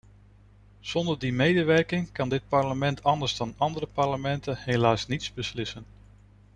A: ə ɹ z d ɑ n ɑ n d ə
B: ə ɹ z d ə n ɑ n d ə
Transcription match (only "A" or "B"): A